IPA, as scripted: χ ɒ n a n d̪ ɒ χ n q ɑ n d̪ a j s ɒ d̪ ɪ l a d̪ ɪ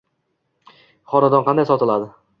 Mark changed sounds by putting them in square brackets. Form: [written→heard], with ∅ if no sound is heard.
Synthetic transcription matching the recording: χ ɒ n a [n→∅] d̪ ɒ [χ→∅] n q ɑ n d̪ a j s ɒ [d̪→t̪] ɪ l a d̪ ɪ